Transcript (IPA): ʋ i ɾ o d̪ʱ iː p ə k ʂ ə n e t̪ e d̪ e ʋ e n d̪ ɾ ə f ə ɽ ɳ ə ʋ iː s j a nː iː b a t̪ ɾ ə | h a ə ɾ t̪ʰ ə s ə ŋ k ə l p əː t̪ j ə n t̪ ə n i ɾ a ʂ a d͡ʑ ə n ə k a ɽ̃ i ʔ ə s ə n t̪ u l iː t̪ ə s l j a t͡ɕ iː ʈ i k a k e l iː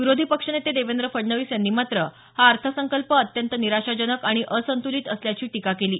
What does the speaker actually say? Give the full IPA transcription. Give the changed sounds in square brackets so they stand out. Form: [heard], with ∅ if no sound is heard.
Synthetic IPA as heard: ʋ i ɾ o d̪ʱ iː p ə k ʂ ə n e t̪ e d̪ e ʋ e n d̪ ɾ ə f ə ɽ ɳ ə ʋ iː s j a nː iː [m] a t̪ ɾ ə | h a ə ɾ t̪ʰ ə s ə ŋ k ə l p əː t̪ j ə n t̪ ə n i ɾ a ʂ a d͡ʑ ə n ə k a ɽ̃ i ʔ ə s ə n t̪ u l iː t̪ ə s l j a t͡ɕ iː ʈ i k a k e l iː